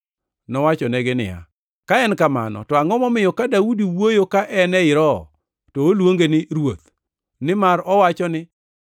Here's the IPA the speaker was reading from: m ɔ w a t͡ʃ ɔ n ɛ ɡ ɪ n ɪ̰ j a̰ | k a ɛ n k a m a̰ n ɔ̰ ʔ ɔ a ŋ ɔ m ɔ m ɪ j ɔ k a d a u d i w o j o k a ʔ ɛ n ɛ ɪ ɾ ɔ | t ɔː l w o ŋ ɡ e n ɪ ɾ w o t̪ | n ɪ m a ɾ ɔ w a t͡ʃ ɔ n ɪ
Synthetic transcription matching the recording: n ɔ w a t͡ʃ ɔ n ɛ ɡ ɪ n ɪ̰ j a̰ | k a ɛ n k a m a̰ n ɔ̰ t ɔ a ŋ ɔ m ɔ m ɪ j ɔ k a d a u d i w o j o k a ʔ ɛ n ɛ ɪ ɾ ɔ | t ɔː l w o ŋ ɡ e n ɪ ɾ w o t̪ | n ɪ m a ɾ ɔ w a t͡ʃ ɔ n ɪ